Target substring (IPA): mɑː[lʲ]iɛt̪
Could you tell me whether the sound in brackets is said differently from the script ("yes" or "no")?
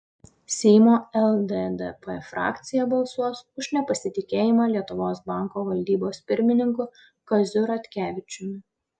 no